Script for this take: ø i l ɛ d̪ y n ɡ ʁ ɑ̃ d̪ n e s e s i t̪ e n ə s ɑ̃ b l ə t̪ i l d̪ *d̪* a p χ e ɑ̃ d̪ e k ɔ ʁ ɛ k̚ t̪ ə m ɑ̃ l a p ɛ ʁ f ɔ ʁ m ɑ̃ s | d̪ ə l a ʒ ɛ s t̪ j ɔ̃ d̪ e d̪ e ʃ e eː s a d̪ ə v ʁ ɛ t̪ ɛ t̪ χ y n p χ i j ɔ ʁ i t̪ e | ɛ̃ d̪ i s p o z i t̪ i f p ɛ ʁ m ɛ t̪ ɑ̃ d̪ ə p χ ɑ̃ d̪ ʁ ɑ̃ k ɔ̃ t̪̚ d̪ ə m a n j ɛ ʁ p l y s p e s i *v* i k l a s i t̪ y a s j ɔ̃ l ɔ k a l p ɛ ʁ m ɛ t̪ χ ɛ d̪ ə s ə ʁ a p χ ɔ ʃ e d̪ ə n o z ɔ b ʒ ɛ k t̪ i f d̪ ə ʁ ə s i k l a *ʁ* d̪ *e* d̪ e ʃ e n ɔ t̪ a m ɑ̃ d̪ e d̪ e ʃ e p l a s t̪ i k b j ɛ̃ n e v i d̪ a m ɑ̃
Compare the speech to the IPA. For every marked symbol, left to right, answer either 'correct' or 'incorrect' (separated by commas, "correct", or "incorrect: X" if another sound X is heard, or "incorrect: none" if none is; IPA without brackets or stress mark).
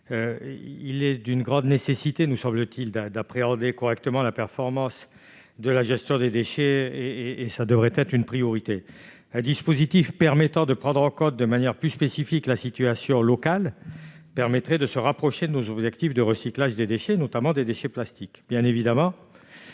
correct, incorrect: f, incorrect: ʒ, correct